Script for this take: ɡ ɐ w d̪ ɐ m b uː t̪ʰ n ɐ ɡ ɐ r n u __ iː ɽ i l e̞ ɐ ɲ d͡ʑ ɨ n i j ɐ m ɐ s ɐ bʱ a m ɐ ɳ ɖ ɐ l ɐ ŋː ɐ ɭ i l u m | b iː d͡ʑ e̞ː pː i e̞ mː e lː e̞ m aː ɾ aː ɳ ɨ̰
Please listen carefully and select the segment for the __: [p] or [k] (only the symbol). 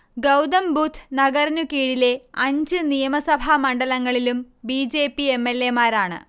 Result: k